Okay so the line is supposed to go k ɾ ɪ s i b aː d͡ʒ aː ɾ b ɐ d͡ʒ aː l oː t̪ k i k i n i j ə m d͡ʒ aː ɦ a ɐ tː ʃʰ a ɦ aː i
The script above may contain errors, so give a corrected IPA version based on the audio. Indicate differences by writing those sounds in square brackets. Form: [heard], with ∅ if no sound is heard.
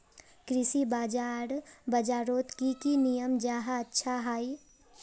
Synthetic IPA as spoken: k ɾ ɪ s i b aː d͡ʒ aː ɾ b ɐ d͡ʒ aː [ɾ] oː t̪ k i k i n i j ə m d͡ʒ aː ɦ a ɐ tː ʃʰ a ɦ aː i